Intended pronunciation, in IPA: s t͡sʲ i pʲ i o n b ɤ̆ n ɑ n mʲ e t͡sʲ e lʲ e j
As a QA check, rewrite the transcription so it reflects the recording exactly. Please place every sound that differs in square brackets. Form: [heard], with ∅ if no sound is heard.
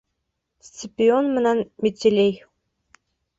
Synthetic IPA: s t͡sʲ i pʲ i o n [m] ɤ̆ n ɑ n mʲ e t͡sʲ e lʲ e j